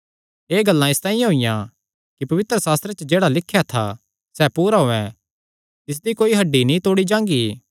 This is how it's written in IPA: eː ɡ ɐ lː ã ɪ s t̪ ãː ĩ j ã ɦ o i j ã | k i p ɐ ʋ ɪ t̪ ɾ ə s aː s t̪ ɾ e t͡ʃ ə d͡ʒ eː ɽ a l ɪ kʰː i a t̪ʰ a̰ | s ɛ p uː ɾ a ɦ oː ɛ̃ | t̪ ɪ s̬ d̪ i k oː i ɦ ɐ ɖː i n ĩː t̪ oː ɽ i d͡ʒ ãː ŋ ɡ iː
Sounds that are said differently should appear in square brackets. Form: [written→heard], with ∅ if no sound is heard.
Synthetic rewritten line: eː ɡ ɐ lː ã ɪ s t̪ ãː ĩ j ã ɦ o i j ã | k i p ɐ ʋ ɪ t̪ ɾ ə s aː s t̪ ɾ e t͡ʃ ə d͡ʒ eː ɽ a l ɪ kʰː [i→j] a t̪ʰ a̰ | s ɛ p uː ɾ a ɦ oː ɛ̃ | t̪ ɪ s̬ d̪ i k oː i ɦ ɐ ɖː i n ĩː t̪ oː ɽ i d͡ʒ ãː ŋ ɡ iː

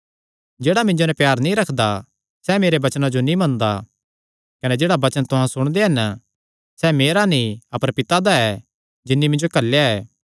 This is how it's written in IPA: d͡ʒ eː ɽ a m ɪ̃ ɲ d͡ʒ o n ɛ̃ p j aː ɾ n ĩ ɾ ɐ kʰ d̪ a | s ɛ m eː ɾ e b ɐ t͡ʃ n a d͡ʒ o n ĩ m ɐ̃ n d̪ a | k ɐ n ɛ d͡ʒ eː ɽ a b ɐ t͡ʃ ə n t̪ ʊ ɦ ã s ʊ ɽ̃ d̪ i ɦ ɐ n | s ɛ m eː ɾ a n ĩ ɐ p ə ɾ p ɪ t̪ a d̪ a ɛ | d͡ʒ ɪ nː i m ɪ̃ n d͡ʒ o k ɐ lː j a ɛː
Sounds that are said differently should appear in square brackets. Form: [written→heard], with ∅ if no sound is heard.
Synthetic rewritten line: d͡ʒ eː ɽ a m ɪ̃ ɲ d͡ʒ o n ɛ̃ p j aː ɾ n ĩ ɾ ɐ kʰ d̪ a | s ɛ m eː ɾ e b ɐ t͡ʃ n a d͡ʒ o n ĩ m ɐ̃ n d̪ a | k ɐ n ɛ d͡ʒ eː ɽ a b ɐ t͡ʃ ə n t̪ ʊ ɦ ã s ʊ ɽ̃ d̪ [i→e] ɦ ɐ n | s ɛ m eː ɾ a n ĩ ɐ p ə ɾ p ɪ t̪ a d̪ a ɛ | d͡ʒ ɪ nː i m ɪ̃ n d͡ʒ o k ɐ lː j a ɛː

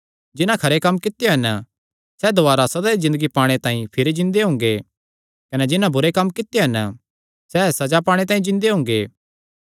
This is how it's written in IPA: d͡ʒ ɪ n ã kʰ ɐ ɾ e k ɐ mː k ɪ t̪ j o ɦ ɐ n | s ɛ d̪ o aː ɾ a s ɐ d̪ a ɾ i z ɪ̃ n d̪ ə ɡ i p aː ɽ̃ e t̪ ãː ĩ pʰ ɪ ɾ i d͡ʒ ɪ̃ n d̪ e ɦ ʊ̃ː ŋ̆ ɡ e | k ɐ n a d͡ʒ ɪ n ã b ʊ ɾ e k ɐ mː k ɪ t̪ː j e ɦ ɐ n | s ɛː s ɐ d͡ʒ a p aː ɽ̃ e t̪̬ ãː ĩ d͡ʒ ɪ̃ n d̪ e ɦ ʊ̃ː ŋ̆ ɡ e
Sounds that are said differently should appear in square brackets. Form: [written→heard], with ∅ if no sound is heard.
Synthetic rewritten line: d͡ʒ ɪ n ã kʰ ɐ ɾ e k ɐ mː k ɪ t̪ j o ɦ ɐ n | s ɛ d̪ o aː ɾ a s ɐ d̪ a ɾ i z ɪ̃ n d̪ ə ɡ i p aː ɽ̃ e t̪ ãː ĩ pʰ ɪ ɾ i d͡ʒ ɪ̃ n d̪ e ɦ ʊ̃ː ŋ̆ ɡ e | k ɐ n [a→ɛ] d͡ʒ ɪ n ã b ʊ ɾ e k ɐ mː k ɪ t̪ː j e ɦ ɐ n | s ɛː s ɐ d͡ʒ a p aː ɽ̃ e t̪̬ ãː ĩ d͡ʒ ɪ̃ n d̪ e ɦ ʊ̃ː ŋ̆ ɡ e

